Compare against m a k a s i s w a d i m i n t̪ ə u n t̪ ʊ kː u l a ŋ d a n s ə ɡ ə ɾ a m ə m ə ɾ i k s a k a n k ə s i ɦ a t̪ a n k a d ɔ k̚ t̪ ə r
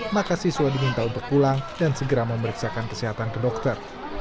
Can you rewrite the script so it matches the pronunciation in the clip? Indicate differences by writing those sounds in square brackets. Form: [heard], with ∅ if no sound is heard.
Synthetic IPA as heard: m a k a s i s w a d i m i n t̪ [a] u n t̪ ʊ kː u l a ŋ d a n s ə ɡ ə ɾ a m ə m ə ɾ i k s a k a n k ə s i ɦ a t̪ a n k [ə] d ɔ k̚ t̪ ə r